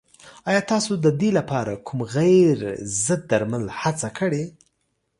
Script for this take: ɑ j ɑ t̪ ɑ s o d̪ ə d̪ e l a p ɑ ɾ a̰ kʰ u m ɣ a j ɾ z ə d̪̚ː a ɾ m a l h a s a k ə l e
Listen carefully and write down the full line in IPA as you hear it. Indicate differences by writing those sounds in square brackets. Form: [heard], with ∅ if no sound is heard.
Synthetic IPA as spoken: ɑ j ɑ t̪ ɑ s o d̪ ə d̪ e l a p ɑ ɾ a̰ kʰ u m ɣ a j ɾ z ə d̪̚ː a ɾ m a l h a [t͡s] a k ə [ɽ] e